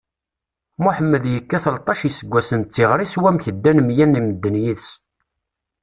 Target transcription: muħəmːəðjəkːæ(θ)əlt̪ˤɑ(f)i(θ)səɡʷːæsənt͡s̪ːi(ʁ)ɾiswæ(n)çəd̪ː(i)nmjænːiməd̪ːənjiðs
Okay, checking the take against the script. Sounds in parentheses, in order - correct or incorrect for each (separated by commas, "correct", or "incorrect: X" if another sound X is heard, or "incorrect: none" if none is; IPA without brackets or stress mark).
correct, incorrect: ʃ, incorrect: none, correct, incorrect: m, incorrect: æ